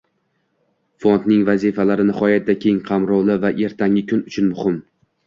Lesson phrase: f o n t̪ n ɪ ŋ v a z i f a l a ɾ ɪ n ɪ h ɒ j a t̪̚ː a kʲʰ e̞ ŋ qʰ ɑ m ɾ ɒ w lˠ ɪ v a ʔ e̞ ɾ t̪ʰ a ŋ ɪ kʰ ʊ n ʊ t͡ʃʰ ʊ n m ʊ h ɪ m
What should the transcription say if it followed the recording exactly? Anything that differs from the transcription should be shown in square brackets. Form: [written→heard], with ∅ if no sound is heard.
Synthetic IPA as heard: f o n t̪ n ɪ ŋ v a z i f a l a ɾ ɪ n ɪ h ɒ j a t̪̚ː a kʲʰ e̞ ŋ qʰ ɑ m ɾ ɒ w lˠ ɪ v a ʔ e̞ ɾ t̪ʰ a ŋ ɪ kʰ ʊ n ʊ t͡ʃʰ ʊ n m ʊ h ɪ m